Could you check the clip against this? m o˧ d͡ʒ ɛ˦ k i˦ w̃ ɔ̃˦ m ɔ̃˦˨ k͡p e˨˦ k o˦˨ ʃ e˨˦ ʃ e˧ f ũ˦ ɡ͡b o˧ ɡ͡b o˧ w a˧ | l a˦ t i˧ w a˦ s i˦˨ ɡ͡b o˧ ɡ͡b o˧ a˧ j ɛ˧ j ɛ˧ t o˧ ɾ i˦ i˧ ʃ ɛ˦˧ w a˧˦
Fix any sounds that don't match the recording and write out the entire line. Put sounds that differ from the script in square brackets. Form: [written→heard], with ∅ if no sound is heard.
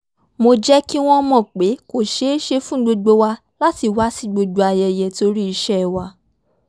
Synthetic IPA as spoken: m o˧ d͡ʒ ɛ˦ k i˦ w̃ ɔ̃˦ m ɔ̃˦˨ k͡p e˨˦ k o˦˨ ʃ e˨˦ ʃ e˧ f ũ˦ ɡ͡b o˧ ɡ͡b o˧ w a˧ | l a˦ t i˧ w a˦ s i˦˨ ɡ͡b o˧ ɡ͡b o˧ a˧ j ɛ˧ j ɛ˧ t o˧ ɾ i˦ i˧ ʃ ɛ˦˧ w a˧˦